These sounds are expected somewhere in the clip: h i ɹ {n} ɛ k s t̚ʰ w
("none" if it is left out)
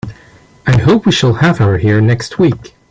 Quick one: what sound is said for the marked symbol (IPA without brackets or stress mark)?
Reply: n